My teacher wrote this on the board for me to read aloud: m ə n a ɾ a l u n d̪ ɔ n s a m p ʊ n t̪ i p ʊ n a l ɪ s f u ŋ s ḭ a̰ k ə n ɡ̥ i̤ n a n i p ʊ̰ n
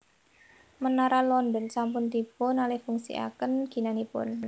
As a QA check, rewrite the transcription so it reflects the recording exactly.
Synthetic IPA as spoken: m ə n a ɾ a l ɔ n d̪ ɔ n s a m p ʊ n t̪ i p ʊ n a l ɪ h f u ŋ s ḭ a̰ k ə n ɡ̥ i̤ n a n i p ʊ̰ n